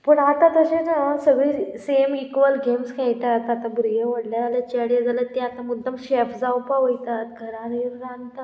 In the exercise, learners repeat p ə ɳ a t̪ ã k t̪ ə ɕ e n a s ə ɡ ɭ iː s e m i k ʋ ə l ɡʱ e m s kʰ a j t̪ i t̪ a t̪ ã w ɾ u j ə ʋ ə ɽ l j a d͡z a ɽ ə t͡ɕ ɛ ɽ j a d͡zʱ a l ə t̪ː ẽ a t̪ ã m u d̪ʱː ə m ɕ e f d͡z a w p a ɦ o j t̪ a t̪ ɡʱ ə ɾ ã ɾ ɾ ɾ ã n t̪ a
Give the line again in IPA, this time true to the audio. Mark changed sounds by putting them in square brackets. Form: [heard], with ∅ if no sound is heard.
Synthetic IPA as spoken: p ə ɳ a t̪ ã [∅] t̪ ə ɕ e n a s ə ɡ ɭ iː s e m i k ʋ ə l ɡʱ e m s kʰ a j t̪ [a] t̪ a t̪ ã [b] ɾ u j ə ʋ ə ɽ l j a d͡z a [l] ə t͡ɕ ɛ ɽ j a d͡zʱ a l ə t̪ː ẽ a t̪ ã m u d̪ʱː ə m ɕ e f d͡z a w p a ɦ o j t̪ a t̪ ɡʱ ə ɾ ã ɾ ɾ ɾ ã n t̪ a

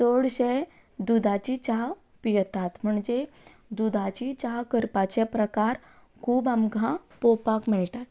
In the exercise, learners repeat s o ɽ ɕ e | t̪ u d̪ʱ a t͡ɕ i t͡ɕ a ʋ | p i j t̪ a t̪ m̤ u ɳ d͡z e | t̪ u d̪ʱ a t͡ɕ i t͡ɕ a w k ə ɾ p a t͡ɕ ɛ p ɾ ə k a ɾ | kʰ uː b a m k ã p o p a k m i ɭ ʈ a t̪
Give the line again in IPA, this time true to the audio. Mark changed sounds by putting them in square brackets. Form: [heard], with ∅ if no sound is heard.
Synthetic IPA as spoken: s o ɽ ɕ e | [d̪] u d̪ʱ a t͡ɕ i t͡ɕ a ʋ | p i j t̪ a t̪ m̤ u ɳ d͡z e | [d̪] u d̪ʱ a t͡ɕ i t͡ɕ a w k ə ɾ p a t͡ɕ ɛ p ɾ ə k a ɾ | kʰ uː b a m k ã p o p a k m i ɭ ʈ a t̪

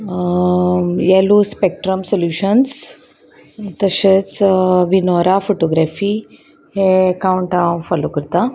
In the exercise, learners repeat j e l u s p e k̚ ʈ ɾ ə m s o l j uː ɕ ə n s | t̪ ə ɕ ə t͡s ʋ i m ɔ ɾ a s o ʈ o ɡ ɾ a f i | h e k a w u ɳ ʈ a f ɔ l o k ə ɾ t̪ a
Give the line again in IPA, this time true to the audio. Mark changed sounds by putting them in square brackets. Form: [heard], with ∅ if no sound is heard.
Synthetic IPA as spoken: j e l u s p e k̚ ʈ ɾ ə m s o l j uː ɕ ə n s | t̪ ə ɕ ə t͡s ʋ i [n] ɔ ɾ a [f] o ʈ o ɡ ɾ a f i | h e k a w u ɳ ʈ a f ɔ l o k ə ɾ t̪ a

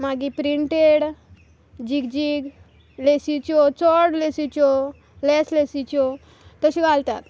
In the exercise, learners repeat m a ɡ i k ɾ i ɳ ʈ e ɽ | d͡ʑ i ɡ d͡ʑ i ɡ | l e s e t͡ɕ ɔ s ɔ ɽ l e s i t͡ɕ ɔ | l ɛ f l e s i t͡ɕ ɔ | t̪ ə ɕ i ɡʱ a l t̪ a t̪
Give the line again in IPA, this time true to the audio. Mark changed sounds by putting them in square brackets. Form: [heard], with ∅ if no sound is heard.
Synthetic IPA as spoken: m a ɡ i [p] ɾ i ɳ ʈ e ɽ | d͡ʑ i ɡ d͡ʑ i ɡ | l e s [i] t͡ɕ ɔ [t͡s] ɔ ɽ l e s i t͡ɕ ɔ | l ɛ [s] l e s i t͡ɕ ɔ | t̪ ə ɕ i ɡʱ a l t̪ a t̪

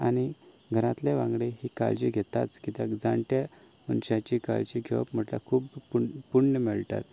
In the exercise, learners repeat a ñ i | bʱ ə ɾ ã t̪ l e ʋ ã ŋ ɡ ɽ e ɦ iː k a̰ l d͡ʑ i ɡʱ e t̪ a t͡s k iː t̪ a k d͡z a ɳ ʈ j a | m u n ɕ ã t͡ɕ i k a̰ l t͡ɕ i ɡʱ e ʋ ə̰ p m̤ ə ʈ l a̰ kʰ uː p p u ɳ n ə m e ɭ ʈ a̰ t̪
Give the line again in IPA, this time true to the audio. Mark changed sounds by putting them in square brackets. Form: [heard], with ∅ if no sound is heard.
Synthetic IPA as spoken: a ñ i | [ɡʱ] ə ɾ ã t̪ l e ʋ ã ŋ ɡ ɽ e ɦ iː k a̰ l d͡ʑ i ɡʱ e t̪ a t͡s k [i] t̪ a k d͡z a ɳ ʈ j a | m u n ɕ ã t͡ɕ i k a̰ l t͡ɕ i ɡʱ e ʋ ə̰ p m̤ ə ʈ l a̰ kʰ uː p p u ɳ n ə m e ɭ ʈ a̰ t̪

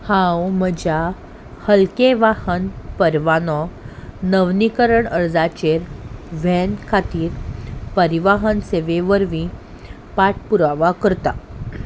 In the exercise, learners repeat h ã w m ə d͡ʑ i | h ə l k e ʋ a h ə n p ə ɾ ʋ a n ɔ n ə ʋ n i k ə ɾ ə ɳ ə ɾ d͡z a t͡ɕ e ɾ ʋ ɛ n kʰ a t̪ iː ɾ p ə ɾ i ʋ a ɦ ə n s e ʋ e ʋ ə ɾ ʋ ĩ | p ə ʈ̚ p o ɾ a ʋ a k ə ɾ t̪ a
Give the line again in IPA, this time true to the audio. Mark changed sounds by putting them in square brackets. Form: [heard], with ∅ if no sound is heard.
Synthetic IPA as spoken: h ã w m ə d͡ʑ [a] | h ə l k e ʋ a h ə n p ə ɾ ʋ a n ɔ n ə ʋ n i k ə ɾ ə ɳ ə ɾ d͡z a t͡ɕ e ɾ ʋ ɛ n kʰ a t̪ iː ɾ p ə ɾ i ʋ a ɦ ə n s e ʋ e ʋ ə ɾ ʋ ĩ | p [a] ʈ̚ p [u] ɾ a ʋ a k ə ɾ t̪ a

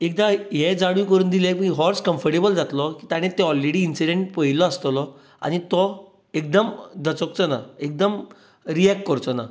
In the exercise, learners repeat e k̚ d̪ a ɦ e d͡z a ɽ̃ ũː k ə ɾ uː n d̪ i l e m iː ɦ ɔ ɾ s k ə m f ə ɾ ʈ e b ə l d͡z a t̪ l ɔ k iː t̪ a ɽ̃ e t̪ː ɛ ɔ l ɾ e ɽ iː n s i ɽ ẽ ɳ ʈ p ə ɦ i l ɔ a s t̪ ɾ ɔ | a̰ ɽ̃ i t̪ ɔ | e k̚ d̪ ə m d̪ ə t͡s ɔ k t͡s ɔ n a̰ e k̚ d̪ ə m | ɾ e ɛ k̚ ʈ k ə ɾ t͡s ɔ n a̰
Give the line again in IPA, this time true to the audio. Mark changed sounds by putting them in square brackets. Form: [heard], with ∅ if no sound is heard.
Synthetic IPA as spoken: e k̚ d̪ a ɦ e d͡z a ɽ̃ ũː k ə ɾ uː n d̪ i l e m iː ɦ ɔ ɾ s k ə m f ə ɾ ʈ e b ə l d͡z a t̪ l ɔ k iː t̪ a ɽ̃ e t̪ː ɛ ɔ l ɾ e ɽ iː n s i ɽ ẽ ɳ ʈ p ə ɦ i l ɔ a s t̪ [l] ɔ | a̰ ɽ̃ i t̪ ɔ | e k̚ d̪ ə m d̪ ə t͡s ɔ k t͡s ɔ n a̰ e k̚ d̪ ə m | ɾ [i] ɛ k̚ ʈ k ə ɾ t͡s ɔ n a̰

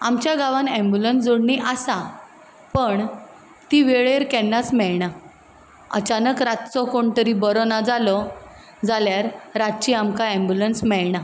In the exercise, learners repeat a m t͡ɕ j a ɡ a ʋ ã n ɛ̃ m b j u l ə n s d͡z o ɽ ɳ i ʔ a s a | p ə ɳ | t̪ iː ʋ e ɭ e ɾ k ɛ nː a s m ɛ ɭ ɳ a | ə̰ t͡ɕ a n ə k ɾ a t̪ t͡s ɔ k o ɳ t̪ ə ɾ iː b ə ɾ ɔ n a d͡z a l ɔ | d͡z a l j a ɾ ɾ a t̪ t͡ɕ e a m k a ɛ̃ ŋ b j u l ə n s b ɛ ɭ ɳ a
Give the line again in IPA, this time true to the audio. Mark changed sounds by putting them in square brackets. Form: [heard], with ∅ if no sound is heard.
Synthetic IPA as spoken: a m t͡ɕ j a ɡ a ʋ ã n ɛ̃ m b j u l ə n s d͡z o ɽ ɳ i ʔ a s a | p ə ɳ | t̪ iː ʋ e ɭ e ɾ k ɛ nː a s m ɛ ɭ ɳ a | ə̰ t͡ɕ a n ə k ɾ a t̪ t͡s ɔ k o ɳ t̪ ə ɾ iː b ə ɾ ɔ n a d͡z a l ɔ | d͡z a l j a ɾ ɾ a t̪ t͡ɕ [i] a m k a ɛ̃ [m] b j u l ə n s [m] ɛ ɭ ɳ a

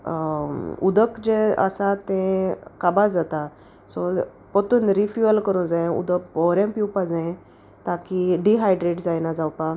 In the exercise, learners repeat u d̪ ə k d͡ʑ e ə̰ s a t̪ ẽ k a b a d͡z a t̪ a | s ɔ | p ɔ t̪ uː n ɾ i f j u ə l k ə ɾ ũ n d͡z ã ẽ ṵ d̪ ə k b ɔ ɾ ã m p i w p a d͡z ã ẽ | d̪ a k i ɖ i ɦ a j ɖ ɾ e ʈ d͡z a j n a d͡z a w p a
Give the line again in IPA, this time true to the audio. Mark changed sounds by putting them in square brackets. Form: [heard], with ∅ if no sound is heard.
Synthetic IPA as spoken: u d̪ ə k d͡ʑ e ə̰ s a t̪ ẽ k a b a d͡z a t̪ a | s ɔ | p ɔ t̪ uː n ɾ i f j u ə l k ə ɾ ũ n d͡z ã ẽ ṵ d̪ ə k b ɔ ɾ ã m p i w p a d͡z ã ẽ | [t̪] a k i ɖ i ɦ a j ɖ ɾ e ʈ d͡z a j n a d͡z a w p a

